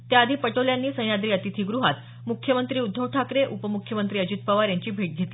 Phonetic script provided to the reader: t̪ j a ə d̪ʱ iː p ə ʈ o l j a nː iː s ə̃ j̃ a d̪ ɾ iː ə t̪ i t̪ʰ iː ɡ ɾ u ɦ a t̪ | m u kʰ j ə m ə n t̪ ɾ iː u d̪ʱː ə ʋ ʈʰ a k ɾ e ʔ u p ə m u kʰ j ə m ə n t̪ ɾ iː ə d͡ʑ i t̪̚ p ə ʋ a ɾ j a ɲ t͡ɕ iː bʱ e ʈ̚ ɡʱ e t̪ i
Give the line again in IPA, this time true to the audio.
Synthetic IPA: t̪ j a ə d̪ʱ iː p ə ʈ o l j a nː iː s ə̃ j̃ a d̪ ɾ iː ə t̪ i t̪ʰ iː ɡ ɾ u ɦ a t̪ | m u kʰ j ə m ə n t̪ ɾ iː u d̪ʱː ə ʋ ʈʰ a k ɾ e ʔ u p ə m u kʰ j ə m ə n t̪ ɾ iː ə d͡ʑ i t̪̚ p ə ʋ a ɾ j a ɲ t͡ɕ iː bʱ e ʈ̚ ɡʱ e t̪ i